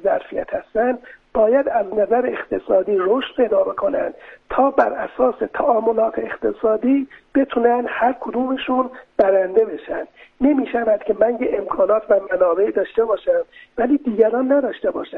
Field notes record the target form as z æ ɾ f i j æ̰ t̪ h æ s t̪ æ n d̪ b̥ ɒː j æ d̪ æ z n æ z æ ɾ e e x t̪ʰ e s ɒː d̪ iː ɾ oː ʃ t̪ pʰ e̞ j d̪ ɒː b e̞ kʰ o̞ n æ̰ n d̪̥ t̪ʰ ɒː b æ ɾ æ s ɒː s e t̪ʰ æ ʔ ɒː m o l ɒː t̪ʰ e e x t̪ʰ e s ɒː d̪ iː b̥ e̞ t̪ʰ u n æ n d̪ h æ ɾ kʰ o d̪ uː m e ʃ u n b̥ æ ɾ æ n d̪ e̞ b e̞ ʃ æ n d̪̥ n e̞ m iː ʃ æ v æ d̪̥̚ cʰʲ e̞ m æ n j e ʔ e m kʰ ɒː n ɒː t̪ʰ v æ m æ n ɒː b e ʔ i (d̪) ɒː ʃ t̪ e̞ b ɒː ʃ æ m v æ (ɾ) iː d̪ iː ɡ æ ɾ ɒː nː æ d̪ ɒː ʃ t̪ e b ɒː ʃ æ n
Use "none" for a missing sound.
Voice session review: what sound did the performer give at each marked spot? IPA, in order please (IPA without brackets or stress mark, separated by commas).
d̪, l